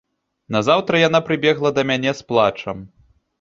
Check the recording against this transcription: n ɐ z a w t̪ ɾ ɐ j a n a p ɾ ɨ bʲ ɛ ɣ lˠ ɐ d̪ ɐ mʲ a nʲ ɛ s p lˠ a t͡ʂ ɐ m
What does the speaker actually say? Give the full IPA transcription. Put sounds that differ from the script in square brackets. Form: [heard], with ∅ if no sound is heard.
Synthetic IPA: n ɐ z a w t̪ ɾ ɐ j a n a p ɾ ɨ bʲ ɛ ɣ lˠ ɐ d̪ ɐ mʲ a nʲ ɛ s p lˠ a t͡ʂ ɐ m